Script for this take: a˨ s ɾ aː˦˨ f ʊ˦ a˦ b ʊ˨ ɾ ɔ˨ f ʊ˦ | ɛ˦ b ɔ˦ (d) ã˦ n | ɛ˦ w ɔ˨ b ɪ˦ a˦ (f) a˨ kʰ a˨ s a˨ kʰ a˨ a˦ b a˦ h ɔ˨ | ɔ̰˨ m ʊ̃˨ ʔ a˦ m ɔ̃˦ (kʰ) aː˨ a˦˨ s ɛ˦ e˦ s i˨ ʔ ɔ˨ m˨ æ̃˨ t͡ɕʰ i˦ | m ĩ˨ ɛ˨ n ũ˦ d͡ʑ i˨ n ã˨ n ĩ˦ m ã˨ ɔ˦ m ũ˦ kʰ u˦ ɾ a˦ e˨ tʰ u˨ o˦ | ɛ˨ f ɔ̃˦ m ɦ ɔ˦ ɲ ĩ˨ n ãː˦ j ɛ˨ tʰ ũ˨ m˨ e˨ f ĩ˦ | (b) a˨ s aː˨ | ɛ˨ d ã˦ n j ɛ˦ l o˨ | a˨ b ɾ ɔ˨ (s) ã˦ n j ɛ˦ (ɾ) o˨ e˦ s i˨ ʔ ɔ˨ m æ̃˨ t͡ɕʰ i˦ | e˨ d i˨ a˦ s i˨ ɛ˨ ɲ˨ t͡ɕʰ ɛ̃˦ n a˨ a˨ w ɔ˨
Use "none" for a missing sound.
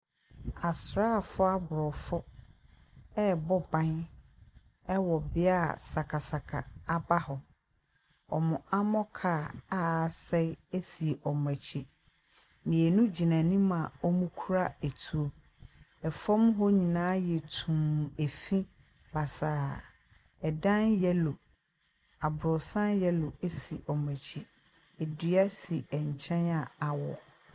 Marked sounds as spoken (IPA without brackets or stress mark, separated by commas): b, s, kʰ, b, s, l